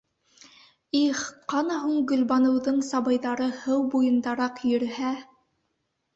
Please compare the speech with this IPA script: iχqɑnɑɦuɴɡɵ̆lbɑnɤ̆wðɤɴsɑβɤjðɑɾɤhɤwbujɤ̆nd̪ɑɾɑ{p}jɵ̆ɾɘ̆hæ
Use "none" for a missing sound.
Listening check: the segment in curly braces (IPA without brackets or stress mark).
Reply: q